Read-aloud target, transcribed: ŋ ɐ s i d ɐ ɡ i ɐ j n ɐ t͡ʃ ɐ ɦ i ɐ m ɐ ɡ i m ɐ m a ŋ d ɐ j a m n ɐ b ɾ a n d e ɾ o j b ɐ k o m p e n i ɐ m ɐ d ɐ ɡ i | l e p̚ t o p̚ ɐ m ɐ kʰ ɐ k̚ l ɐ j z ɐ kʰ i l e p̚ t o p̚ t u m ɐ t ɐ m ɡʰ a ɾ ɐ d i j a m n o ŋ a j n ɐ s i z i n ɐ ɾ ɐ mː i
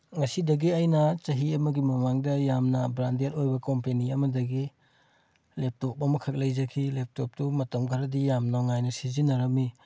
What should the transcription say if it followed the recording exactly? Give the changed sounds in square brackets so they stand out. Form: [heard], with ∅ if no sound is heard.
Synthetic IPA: ŋ ɐ s i d ɐ ɡ i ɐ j n ɐ t͡ʃ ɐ ɦ i ɐ m ɐ ɡ i m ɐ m a ŋ d ɐ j a m n ɐ b ɾ a n d e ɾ o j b ɐ k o m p e n i ɐ m ɐ d ɐ ɡ i | l e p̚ t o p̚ ɐ m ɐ kʰ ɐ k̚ l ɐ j z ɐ kʰ i l e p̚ t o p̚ t u m ɐ t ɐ m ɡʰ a ɾ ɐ d i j a m n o ŋ a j n ɐ s i z i n ɐ ɾ ɐ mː i